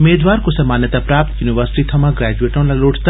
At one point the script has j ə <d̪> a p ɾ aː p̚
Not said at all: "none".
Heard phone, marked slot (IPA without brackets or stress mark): t̪